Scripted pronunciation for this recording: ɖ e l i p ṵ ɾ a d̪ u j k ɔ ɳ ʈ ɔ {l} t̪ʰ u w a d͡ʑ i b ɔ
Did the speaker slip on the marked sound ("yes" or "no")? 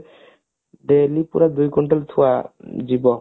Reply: no